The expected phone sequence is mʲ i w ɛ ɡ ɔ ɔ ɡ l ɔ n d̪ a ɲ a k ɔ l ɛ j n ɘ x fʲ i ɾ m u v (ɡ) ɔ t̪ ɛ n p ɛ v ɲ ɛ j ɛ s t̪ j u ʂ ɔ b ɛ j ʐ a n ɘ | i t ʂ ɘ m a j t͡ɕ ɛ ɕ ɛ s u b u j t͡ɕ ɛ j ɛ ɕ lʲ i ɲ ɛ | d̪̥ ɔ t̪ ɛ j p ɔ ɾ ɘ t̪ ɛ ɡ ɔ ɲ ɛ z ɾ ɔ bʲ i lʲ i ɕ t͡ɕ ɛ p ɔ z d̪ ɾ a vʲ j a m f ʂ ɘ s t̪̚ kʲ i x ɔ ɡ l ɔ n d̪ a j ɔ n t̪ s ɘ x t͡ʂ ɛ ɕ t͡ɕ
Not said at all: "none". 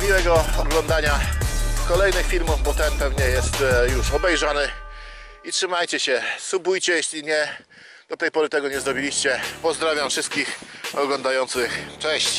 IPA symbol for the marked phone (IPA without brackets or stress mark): b